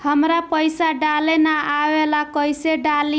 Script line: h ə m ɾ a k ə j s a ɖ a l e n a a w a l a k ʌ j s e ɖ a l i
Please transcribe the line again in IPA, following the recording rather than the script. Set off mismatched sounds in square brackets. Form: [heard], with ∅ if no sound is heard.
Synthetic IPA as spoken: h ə m ɾ a [p] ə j s a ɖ a l e n a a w [e] l a k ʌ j s e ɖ a l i